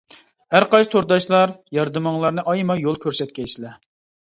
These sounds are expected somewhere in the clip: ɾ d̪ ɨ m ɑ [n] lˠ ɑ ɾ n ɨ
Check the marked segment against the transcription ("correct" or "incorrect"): incorrect